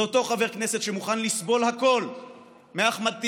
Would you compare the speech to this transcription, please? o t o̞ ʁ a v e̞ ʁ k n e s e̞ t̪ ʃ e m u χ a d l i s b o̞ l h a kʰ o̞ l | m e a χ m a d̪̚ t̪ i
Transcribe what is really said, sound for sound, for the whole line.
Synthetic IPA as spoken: o t o̞ χ a v e̞ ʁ k n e s e̞ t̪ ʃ e m u χ a n l i s b o̞ l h a k o̞ l | m e a χ m a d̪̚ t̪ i